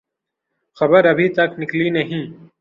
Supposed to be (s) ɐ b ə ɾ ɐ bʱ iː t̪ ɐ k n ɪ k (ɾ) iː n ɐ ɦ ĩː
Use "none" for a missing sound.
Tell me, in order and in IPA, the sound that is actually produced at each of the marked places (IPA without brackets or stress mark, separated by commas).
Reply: x, l